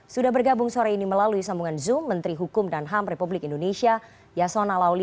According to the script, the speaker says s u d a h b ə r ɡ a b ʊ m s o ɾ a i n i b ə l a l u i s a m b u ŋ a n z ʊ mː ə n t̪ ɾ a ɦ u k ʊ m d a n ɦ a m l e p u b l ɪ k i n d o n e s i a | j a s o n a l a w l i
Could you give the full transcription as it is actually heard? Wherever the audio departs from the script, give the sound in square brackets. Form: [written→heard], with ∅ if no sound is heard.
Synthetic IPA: s u d a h b ə r ɡ a b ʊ [m→ŋ] s o ɾ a i n i [b→m] ə l a l u i s a m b u ŋ a n z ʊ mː ə n t̪ ɾ [a→i] ɦ u k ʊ m d a n ɦ a m [l→r] e p u b l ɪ k i n d o n e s i a | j a s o n a l a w l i